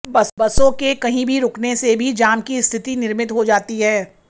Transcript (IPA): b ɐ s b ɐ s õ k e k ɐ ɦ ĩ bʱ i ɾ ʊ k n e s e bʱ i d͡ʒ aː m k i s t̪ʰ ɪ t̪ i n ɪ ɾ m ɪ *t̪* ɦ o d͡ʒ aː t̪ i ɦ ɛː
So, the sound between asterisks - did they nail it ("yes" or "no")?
yes